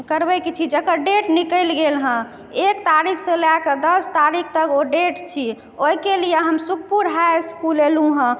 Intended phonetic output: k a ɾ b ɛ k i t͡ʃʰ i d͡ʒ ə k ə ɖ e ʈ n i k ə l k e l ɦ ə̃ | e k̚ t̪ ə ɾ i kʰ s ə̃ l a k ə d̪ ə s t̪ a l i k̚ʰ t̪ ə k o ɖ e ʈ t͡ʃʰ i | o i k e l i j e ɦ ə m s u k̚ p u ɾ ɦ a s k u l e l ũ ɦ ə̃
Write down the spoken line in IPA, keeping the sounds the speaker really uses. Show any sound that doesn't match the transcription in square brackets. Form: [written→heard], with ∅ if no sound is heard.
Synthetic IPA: k [a→ə] ɾ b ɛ k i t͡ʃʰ i d͡ʒ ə k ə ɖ e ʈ n i k ə l [k→ɡ] e l ɦ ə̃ | e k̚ t̪ [ə→a] ɾ i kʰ s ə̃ l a k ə d̪ ə s t̪ a [l→ɾ] i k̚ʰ t̪ ə k o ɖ e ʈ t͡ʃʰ i | o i k e l i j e ɦ ə m s u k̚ p u ɾ ɦ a s k u l e l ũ ɦ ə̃